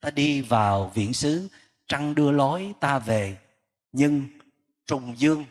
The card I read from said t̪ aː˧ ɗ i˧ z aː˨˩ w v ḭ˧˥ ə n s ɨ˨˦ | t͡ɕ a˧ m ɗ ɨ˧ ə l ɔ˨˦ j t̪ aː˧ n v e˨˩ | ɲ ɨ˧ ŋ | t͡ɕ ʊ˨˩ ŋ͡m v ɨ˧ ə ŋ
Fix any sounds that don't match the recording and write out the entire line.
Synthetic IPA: t̪ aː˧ ɗ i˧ v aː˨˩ w v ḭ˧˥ ə n s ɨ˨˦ | t͡ɕ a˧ ŋ ɗ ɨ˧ ə l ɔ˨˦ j t̪ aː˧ v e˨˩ | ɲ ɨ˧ ŋ | t͡ɕ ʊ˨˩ ŋ͡m z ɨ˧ ə ŋ